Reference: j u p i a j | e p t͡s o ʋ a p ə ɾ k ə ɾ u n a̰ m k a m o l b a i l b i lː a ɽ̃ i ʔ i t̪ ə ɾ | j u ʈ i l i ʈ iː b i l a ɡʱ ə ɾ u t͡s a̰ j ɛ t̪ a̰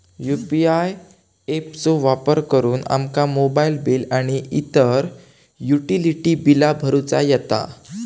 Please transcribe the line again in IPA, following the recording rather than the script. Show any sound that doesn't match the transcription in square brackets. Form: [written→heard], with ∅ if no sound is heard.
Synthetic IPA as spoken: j u p i a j | e p t͡s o ʋ a p ə ɾ k ə ɾ [u→uː] n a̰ m k a m o [l→∅] b a i l b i [lː→l] a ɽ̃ i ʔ i t̪ ə ɾ | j u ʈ i l i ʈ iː b i l a [ɡʱ→bʱ] ə ɾ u t͡s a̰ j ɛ t̪ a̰